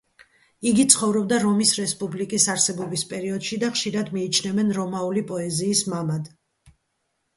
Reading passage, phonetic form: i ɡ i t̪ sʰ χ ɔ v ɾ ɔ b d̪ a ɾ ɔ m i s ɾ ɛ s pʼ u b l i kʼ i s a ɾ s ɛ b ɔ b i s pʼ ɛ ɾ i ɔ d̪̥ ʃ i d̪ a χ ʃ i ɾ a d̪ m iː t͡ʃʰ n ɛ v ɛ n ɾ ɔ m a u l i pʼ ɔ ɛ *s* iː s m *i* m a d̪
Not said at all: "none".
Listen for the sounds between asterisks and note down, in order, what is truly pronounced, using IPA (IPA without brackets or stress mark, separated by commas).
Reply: z, a